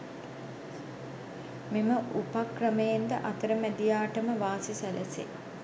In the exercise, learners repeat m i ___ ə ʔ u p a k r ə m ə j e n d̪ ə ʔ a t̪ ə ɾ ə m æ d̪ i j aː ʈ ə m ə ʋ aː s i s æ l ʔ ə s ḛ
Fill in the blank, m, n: m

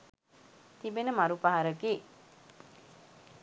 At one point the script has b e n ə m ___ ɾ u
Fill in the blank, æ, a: a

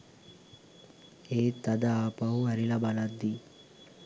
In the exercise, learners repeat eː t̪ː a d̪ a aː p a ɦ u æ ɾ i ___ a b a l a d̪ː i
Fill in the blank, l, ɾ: l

